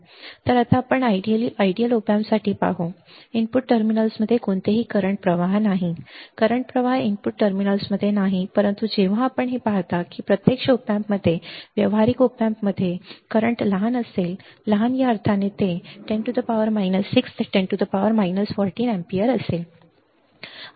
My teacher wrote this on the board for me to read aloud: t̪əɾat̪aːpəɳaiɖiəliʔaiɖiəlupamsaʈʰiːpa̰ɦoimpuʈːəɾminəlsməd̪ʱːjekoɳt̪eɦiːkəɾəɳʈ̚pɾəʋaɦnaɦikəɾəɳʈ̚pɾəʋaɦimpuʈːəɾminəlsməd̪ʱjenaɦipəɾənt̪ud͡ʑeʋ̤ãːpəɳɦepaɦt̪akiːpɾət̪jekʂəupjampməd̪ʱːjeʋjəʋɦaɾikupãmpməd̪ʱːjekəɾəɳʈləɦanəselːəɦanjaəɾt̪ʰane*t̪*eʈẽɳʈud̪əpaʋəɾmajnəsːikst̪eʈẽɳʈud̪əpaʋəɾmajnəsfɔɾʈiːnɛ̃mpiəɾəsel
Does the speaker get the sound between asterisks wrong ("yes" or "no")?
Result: no